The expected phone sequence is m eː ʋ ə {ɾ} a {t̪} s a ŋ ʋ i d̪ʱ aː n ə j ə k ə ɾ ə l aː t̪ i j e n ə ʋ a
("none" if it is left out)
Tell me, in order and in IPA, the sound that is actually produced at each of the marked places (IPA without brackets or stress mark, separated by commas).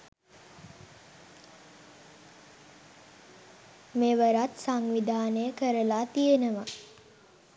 ɾ, t̪